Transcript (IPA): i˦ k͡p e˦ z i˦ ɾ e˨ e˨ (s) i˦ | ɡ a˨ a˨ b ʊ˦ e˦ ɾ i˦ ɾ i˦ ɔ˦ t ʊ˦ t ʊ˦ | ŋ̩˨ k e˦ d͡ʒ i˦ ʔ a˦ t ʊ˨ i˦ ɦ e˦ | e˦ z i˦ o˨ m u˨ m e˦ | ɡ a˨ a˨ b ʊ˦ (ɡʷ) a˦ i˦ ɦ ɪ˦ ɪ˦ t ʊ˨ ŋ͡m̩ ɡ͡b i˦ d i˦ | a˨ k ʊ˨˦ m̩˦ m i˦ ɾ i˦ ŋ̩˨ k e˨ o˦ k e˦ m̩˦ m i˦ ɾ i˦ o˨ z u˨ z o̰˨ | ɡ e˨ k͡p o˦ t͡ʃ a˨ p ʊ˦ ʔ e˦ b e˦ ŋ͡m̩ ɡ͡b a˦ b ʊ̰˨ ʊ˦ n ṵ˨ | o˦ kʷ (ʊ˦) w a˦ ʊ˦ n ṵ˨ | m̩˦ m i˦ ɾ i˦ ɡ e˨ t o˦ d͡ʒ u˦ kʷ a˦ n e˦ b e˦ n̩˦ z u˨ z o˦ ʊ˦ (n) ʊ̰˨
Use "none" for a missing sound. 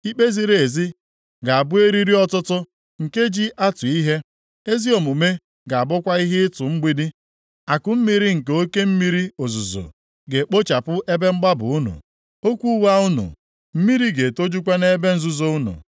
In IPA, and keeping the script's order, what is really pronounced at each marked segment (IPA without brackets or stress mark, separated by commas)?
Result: z, kʷ, u˦, n